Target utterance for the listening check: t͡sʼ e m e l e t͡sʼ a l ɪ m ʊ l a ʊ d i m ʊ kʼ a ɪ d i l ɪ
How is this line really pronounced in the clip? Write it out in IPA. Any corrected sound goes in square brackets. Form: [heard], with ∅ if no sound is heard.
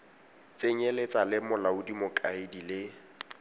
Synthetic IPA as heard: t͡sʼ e [ɲ] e l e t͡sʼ a l ɪ m ʊ l a ʊ d i m ʊ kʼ a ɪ d i l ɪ